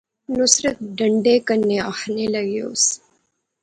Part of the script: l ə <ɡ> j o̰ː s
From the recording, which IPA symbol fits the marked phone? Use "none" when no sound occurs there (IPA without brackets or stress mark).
ɡ